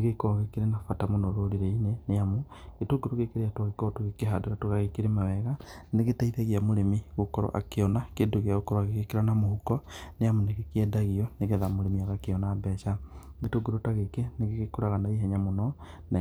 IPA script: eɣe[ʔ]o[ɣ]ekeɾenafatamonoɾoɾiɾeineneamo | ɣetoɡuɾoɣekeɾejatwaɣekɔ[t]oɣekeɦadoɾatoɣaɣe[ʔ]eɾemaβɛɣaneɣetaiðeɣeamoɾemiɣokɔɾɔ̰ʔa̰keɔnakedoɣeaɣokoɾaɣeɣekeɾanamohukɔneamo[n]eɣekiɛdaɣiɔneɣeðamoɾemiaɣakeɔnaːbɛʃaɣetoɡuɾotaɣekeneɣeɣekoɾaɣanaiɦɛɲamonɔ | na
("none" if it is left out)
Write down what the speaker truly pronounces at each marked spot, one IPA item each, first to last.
k, ɣ, t, k, n

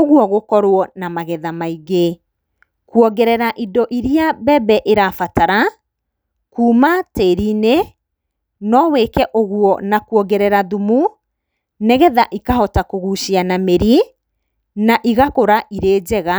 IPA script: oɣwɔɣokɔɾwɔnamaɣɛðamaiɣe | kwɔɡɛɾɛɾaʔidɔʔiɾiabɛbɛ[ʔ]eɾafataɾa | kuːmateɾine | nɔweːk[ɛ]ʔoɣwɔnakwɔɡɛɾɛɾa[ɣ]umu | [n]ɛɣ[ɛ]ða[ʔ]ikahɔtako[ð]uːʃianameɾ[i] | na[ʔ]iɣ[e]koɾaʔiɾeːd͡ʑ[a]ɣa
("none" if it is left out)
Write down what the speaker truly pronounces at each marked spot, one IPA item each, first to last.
ʔ, ɛ, ð, n, ɛ, ʔ, ɣ, i, ʔ, a, ɛ

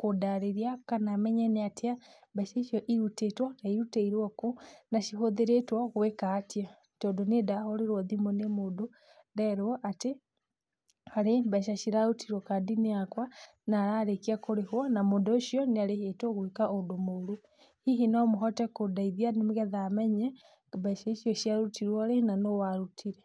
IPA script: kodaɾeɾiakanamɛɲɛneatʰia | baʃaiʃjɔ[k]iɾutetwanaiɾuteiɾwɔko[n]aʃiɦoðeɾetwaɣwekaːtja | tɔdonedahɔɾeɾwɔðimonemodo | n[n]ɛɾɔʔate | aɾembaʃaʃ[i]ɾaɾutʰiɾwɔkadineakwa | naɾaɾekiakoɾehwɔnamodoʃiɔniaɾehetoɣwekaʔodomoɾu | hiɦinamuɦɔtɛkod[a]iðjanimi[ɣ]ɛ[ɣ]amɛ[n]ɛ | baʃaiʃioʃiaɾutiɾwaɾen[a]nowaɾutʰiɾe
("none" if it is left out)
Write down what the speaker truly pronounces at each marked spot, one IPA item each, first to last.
ʔ, n, d, i, a, ɣ, ð, ɲ, a

